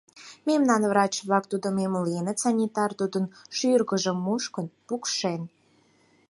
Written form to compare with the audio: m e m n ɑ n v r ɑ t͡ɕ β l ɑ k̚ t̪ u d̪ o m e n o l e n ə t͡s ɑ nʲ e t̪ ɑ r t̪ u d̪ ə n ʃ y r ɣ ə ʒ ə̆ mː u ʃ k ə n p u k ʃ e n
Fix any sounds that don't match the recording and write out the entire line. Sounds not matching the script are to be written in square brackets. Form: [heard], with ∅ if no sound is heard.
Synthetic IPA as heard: m e m n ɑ n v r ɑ t͡ɕ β l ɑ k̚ t̪ u d̪ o m e [m] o l e n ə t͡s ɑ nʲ [i] t̪ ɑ r t̪ u d̪ ə n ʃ y r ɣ ə ʒ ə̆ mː u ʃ k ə n p u k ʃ e n